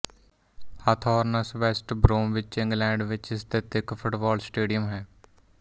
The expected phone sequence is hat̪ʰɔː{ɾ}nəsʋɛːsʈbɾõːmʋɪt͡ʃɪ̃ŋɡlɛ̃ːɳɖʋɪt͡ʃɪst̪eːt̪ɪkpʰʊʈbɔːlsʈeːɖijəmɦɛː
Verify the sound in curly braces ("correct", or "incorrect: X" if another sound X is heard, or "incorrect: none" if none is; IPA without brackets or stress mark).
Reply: correct